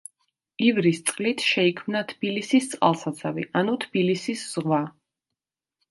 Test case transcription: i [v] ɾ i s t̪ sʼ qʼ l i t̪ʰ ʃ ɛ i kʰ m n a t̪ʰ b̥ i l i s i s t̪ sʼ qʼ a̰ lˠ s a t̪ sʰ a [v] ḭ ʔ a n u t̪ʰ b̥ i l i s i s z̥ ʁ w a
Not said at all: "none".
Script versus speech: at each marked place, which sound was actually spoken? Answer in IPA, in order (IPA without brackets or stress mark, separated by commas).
v, v